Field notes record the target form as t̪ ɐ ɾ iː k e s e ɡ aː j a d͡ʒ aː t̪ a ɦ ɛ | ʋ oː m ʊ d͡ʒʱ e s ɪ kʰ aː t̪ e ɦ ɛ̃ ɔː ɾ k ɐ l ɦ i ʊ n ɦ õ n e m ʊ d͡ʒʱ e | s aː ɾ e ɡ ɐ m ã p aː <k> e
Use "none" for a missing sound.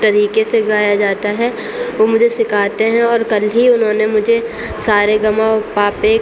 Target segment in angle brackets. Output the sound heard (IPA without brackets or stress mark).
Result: p